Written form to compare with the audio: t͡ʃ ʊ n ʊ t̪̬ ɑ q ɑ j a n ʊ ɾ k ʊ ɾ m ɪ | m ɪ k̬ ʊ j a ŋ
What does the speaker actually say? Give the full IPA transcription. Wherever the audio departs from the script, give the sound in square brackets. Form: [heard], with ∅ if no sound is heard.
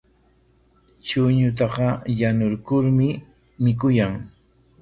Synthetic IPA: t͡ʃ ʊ [ɲ] ʊ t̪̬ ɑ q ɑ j a n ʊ ɾ k ʊ ɾ m ɪ | m ɪ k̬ ʊ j a ŋ